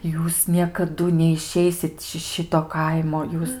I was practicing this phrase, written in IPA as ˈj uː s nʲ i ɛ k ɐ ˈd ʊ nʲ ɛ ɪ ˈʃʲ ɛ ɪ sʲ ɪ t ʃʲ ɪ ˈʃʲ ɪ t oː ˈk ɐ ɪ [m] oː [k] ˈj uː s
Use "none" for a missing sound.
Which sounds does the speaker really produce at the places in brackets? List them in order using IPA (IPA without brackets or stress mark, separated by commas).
m, none